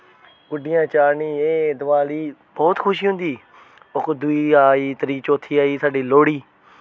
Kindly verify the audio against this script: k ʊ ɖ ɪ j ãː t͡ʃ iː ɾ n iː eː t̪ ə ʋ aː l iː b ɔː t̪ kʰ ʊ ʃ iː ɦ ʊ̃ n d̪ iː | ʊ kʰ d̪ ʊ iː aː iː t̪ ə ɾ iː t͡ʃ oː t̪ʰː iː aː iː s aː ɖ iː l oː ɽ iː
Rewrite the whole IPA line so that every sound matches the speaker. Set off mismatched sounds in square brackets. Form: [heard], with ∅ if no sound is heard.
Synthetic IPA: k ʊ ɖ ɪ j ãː t͡ʃ [aː] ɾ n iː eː [d̪] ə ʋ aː l iː b ɔː t̪ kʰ ʊ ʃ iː ɦ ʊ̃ n d̪ iː | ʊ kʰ d̪ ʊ iː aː iː t̪ ə ɾ iː t͡ʃ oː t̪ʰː iː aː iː s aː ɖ iː l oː ɽ iː